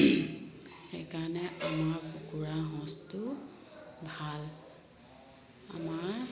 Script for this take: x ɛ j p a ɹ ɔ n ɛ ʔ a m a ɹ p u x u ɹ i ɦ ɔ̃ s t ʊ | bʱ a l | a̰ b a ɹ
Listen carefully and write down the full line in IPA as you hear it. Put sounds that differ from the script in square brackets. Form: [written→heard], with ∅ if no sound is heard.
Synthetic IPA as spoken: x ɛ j [p→k] a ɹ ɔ n ɛ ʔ a m a ɹ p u [x→k] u ɹ [i→a] ɦ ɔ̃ s t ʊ | bʱ a l | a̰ [b→m] a ɹ